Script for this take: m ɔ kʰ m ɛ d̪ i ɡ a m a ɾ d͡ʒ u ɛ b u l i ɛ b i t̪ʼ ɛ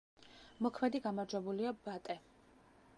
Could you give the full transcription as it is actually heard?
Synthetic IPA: m ɔ kʰ m ɛ d̪ i ɡ a m a ɾ d͡ʒ w ɛ b u l i a b a t̪ʼ ɛ